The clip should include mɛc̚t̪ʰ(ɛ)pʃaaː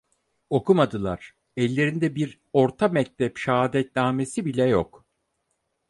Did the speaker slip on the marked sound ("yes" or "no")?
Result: no